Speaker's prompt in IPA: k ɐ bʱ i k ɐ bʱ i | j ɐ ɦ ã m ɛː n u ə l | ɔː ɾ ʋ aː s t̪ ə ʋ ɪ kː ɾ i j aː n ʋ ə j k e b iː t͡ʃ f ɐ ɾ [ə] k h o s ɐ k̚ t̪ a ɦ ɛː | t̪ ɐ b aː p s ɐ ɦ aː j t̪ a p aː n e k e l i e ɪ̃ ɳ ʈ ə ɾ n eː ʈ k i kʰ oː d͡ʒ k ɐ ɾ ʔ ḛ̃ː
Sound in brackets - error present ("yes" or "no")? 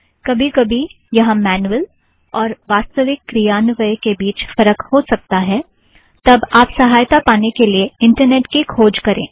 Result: no